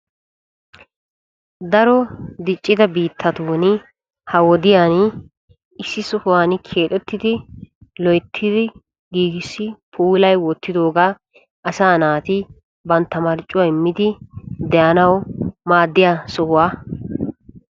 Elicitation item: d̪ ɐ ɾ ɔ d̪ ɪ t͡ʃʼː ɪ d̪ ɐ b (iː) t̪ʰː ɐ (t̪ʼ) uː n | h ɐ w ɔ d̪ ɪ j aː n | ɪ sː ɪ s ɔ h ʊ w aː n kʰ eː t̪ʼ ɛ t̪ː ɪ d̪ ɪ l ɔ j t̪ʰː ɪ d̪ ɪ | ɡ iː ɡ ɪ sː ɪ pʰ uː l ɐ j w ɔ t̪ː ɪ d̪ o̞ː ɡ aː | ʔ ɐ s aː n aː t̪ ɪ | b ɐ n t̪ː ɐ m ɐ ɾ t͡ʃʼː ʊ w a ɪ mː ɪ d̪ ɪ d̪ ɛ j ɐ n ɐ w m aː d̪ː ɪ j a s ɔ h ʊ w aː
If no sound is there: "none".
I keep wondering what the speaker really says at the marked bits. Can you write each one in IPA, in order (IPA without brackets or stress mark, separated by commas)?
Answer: iː, t̪